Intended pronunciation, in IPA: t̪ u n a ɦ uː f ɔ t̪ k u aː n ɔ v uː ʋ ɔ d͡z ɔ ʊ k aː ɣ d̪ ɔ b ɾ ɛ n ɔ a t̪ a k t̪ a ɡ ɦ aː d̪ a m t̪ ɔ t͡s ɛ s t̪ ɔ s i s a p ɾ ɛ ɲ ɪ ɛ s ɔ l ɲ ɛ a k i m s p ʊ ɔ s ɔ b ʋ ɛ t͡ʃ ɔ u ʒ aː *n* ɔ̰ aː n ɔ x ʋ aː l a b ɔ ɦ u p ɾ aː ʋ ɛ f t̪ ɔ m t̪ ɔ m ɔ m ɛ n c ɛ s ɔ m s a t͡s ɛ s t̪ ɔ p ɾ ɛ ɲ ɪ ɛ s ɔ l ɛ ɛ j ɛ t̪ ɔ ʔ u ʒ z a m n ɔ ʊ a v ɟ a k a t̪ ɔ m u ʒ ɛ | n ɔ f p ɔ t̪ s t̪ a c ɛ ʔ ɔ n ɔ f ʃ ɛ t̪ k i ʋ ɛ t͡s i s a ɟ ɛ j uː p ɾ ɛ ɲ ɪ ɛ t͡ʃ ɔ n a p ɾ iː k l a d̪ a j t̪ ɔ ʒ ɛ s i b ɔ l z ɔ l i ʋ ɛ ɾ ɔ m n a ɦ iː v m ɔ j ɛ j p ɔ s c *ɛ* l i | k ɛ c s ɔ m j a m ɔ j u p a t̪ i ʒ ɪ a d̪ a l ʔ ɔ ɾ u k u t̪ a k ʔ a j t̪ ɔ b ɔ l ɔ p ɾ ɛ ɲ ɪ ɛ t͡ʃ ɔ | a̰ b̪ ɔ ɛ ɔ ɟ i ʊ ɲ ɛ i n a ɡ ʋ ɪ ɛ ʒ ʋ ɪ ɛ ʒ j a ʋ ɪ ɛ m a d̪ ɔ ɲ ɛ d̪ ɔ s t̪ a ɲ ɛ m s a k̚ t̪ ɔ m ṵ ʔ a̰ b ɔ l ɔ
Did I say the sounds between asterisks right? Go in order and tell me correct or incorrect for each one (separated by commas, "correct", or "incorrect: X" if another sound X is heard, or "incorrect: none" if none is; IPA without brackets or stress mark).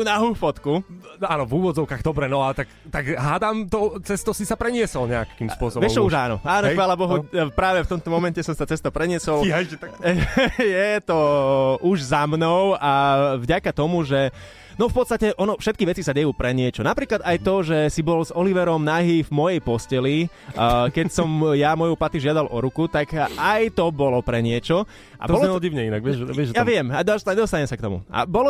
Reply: correct, correct